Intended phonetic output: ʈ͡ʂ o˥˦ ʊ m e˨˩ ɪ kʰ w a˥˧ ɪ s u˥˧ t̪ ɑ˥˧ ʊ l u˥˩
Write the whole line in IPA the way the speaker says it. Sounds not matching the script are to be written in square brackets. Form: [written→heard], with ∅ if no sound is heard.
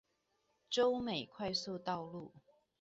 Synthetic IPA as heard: ʈ͡ʂ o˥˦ ʊ m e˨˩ ɪ kʰ w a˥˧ ɪ s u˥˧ t̪ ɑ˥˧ ʊ l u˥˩

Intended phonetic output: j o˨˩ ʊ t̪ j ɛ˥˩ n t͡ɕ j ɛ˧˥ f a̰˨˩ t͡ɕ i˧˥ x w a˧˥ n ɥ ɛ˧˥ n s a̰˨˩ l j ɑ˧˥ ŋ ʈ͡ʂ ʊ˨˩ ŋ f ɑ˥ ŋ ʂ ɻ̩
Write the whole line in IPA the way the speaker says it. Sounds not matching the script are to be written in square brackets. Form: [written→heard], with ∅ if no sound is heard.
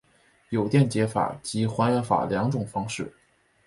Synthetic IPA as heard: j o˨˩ ʊ t̪ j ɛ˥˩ n t͡ɕ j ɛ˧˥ f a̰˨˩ t͡ɕ i˧˥ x w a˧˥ n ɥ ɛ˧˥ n [s→f] a̰˨˩ l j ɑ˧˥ ŋ ʈ͡ʂ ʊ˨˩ ŋ f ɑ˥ ŋ ʂ ɻ̩

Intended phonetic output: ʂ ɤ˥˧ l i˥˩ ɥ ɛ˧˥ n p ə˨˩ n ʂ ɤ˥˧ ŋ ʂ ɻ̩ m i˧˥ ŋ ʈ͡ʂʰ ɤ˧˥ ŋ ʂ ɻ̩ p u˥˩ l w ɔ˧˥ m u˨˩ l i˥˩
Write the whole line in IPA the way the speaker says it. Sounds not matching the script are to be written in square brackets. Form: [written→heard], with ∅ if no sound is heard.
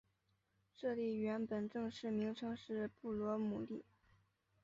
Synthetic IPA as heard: ʂ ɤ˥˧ l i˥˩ ɥ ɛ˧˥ n p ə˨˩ n [ʂ→ʈ͡ʂ] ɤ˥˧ ŋ ʂ ɻ̩ m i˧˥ ŋ ʈ͡ʂʰ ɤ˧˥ ŋ ʂ ɻ̩ p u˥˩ l w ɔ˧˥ m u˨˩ l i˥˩

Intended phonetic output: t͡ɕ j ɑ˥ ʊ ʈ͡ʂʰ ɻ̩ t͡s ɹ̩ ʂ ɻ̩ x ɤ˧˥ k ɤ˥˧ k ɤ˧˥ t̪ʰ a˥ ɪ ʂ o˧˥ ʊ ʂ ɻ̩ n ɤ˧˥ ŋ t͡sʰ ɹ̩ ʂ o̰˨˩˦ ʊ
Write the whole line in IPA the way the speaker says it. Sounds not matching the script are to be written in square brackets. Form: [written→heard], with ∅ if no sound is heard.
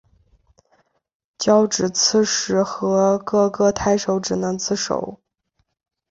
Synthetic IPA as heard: t͡ɕ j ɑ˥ ʊ [ʈ͡ʂʰ→ʈ͡ʂ] ɻ̩ [t͡s→t͡sʰ] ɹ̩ ʂ ɻ̩ x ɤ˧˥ k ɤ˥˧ k [ɤ˧˥→ɤ˥˩] t̪ʰ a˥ ɪ ʂ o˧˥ ʊ [ʂ→ʈ͡ʂ] ɻ̩ n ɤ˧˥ ŋ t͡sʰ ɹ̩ ʂ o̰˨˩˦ ʊ

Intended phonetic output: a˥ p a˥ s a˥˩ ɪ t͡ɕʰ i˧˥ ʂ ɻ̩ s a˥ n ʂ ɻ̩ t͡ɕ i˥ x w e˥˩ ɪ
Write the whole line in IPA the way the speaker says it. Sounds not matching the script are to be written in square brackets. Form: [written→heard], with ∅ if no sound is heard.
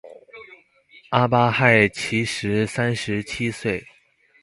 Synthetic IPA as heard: a˥ p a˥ [s→x] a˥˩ ɪ t͡ɕʰ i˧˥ ʂ ɻ̩ s a˥ n ʂ ɻ̩ [t͡ɕ→t͡ɕʰ] i˥ [x→s] w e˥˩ ɪ

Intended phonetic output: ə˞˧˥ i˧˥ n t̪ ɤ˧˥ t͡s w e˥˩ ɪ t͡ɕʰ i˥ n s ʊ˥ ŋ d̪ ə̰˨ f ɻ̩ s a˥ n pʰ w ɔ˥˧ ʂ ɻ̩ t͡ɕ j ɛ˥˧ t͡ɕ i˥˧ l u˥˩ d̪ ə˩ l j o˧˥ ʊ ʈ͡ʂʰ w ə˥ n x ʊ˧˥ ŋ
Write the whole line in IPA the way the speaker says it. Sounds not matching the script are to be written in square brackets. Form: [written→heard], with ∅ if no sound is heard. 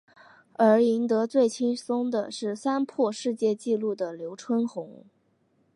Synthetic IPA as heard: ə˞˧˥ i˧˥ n t̪ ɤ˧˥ t͡s w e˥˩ ɪ t͡ɕʰ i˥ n s ʊ˥ ŋ d̪ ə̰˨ [f→ʂ] ɻ̩ s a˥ n pʰ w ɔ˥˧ ʂ ɻ̩ t͡ɕ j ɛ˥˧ t͡ɕ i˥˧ l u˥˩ d̪ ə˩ l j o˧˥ ʊ ʈ͡ʂʰ w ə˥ n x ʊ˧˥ ŋ

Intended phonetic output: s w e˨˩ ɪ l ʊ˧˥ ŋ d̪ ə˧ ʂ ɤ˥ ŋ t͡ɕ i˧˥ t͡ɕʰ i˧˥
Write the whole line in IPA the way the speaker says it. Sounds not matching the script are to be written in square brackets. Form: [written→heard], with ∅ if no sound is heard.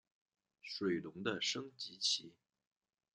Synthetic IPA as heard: [s→ʂ] w e˨˩ ɪ l ʊ˧˥ ŋ d̪ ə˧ ʂ ɤ˥ ŋ t͡ɕ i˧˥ t͡ɕʰ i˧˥

